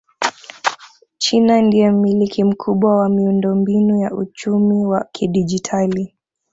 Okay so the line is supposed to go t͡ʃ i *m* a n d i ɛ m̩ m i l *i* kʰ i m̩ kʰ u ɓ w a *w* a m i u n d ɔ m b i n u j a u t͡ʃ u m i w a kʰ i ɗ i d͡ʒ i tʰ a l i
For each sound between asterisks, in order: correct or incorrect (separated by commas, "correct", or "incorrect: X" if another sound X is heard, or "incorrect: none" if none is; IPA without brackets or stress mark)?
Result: incorrect: n, correct, correct